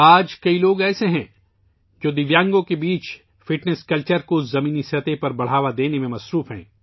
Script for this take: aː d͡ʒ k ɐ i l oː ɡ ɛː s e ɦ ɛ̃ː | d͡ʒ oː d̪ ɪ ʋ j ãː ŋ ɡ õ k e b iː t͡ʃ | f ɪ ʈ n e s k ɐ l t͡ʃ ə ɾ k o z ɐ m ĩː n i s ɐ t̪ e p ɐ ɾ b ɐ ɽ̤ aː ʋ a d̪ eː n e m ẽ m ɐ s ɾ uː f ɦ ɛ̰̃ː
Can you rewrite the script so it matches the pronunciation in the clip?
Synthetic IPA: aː d͡ʒ k ɐ i l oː ɡ ɛː s e ɦ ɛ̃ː | d͡ʒ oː d̪ ɪ ʋ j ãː ŋ ɡ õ k e b iː t͡ʃ | f ɪ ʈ n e s k ɐ l t͡ʃ ə ɾ k o z ɐ m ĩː n i s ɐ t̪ e p ɐ ɾ b ɐ ɽ̤ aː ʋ a d̪ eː n e m ẽ m ɐ s ɾ uː f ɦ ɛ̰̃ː